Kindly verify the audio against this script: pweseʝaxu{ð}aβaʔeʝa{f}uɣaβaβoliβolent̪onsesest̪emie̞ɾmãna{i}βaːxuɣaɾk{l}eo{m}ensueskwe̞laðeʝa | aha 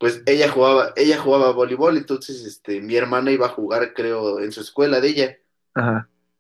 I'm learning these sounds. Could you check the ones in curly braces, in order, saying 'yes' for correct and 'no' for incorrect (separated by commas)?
no, no, yes, no, no